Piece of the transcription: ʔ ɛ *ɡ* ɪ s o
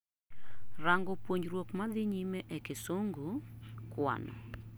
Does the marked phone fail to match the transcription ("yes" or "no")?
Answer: yes